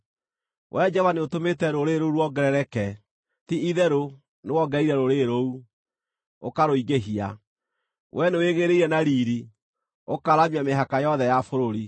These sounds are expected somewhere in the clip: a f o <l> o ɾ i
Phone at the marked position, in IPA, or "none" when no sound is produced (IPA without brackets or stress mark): ɾ